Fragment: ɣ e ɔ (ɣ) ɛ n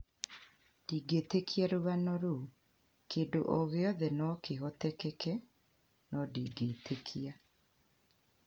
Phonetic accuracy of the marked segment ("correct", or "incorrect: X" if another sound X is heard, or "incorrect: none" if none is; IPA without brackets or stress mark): incorrect: ð